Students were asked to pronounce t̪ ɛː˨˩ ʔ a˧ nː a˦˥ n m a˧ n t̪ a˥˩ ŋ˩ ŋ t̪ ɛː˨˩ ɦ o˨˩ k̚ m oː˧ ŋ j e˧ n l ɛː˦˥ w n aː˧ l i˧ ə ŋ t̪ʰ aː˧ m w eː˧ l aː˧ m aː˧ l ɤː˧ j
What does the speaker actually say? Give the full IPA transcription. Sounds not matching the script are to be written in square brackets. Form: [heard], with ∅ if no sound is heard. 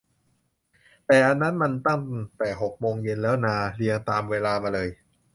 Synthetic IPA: t̪ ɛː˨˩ ʔ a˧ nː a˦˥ n m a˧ n t̪ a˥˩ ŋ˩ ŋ t̪ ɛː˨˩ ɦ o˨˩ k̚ m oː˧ ŋ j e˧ n l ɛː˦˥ w n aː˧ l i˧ ə ŋ [t̪] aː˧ m w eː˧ l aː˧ m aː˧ l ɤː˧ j

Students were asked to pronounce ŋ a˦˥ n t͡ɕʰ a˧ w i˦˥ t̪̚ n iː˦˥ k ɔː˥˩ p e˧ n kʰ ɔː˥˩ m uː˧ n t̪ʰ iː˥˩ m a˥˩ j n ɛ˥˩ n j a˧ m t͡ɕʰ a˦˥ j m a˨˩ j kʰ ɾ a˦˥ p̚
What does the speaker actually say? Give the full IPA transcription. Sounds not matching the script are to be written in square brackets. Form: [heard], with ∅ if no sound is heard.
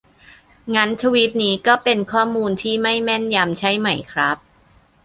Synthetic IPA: ŋ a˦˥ n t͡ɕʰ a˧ w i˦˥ t̪̚ n iː˦˥ k ɔː˥˩ p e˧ n kʰ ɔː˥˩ m uː˧ n t̪ʰ iː˥˩ m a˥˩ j [m] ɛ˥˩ n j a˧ m t͡ɕʰ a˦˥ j m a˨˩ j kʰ ɾ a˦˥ p̚

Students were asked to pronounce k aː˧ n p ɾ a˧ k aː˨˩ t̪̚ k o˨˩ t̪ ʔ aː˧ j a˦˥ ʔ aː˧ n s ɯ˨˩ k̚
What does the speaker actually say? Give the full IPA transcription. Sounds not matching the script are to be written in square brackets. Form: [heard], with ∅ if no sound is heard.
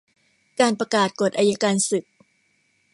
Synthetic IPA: k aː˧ n p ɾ a˧ k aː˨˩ t̪̚ k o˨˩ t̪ ʔ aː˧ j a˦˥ [k] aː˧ n s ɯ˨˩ k̚

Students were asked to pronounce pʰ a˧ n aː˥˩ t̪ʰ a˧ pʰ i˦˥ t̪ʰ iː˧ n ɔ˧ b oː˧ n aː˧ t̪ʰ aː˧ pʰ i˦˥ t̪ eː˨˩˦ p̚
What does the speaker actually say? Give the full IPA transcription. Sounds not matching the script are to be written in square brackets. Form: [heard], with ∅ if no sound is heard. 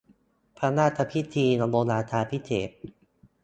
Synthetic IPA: pʰ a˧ n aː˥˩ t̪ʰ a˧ pʰ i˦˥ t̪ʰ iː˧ n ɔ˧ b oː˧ n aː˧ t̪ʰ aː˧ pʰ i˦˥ [t̪ʰ] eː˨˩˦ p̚

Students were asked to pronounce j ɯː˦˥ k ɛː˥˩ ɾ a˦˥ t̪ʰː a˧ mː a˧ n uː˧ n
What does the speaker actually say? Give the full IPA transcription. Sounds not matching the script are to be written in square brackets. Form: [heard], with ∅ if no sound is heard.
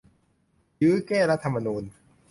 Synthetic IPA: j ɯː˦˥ k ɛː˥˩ ɾ a˦˥ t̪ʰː a˧ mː a˧ n uː˧ n

